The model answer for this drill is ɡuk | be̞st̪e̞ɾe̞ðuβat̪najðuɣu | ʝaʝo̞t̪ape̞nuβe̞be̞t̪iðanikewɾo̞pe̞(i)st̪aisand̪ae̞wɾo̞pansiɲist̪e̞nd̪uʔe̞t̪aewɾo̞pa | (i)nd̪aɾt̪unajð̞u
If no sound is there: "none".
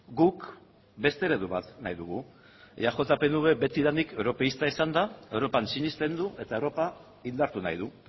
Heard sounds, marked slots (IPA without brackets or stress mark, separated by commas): i, i